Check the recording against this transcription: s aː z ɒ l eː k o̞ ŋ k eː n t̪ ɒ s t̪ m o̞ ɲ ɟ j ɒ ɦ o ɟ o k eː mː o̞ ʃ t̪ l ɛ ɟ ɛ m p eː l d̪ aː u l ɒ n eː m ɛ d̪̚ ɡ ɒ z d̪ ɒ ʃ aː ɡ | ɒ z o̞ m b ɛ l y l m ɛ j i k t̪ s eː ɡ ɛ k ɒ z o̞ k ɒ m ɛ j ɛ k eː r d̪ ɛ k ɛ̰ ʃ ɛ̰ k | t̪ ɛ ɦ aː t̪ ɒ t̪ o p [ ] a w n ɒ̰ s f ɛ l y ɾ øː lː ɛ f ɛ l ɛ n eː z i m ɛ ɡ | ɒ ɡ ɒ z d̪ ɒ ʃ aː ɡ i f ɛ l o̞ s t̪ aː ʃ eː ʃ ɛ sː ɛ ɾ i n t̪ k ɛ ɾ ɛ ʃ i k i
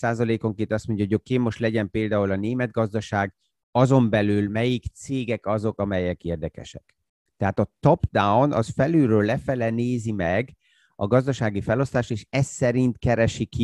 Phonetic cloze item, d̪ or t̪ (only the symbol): d̪